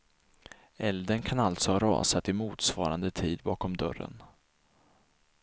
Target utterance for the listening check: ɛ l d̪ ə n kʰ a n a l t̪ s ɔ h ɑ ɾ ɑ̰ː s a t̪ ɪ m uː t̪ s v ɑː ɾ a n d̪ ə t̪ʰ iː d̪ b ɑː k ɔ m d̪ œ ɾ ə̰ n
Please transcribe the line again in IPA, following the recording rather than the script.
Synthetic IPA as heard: ɛ l d̪ ə n kʰ a n a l t̪ s ɔ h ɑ ɾ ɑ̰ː s a t̪ ɪ m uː t̪ s v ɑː ɾ a n d̪ ə t̪ʰ iː d̪ b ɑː k ɔ m d̪ œ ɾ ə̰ n